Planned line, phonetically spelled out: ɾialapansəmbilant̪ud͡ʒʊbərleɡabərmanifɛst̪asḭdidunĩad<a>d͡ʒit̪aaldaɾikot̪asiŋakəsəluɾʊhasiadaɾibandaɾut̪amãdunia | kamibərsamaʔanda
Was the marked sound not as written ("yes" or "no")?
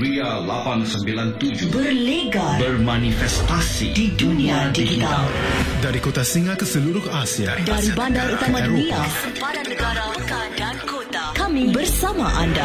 yes